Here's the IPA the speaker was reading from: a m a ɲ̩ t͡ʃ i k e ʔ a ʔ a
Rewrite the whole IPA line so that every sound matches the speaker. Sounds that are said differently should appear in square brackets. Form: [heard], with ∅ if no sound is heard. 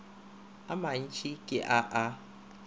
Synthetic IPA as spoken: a m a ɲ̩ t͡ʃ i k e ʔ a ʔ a